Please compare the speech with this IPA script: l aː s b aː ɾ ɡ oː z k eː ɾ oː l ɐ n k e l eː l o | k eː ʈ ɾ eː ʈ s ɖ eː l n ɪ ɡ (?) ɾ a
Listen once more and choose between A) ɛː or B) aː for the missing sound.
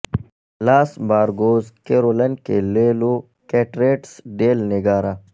B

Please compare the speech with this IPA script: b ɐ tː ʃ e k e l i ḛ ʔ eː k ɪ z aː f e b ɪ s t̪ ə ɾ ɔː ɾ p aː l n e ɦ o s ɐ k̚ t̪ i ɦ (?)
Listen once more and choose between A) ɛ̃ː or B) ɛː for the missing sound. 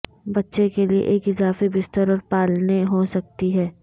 B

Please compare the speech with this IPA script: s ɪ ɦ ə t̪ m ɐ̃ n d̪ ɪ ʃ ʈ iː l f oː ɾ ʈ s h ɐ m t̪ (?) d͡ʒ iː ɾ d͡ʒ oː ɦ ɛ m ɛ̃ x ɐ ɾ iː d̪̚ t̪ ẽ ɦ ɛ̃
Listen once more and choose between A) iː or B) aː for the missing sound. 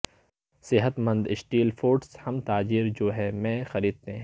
B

